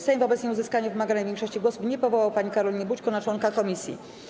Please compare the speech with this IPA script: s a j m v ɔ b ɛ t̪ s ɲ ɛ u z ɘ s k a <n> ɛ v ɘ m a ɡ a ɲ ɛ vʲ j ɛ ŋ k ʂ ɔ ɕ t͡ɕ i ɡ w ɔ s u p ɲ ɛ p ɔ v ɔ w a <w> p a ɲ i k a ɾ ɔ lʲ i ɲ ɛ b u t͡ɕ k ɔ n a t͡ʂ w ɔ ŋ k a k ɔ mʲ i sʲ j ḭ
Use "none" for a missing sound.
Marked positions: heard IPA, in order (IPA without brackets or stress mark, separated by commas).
ɲ, w